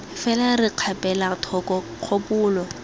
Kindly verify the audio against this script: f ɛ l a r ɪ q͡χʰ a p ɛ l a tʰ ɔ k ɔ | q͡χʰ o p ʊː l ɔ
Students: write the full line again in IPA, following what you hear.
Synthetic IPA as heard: f ɛ l a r ɪ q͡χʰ a p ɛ l a tʰ ɔ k ɔ | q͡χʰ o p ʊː l ɔ